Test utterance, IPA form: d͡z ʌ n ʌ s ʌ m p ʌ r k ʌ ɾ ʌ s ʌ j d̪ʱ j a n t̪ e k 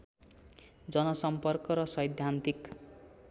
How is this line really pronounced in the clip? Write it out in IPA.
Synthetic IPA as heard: d͡z ʌ n ʌ s ʌ m p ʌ r k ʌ ɾ ʌ s ʌ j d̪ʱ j a n t̪ i k